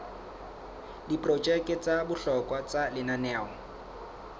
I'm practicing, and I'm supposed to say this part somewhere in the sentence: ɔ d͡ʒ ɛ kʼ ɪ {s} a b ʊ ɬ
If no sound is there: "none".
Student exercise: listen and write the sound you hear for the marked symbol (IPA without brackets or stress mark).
t͡s